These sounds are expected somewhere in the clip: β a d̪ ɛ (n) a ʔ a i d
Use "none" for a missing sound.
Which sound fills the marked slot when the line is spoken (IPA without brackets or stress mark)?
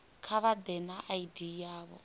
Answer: n